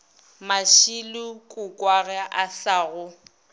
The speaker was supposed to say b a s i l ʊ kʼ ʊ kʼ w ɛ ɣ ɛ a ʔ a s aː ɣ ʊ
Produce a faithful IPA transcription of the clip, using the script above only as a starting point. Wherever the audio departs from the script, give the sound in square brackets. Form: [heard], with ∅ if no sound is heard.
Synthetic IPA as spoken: [m] a [ʃ] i l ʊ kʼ ʊ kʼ w [a] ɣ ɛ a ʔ a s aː ɣ ʊ